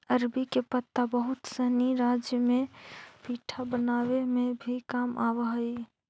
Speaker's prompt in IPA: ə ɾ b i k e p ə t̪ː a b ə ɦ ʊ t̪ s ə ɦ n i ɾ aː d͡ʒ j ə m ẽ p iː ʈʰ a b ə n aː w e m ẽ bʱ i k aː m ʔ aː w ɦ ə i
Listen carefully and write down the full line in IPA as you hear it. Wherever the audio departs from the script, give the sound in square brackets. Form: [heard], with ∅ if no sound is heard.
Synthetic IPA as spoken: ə ɾ b i k e p ə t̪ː a b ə ɦ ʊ t̪ s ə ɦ n i ɾ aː d͡ʒ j ə m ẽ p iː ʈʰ a b ə n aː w e m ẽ bʱ i k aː m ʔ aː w ɦ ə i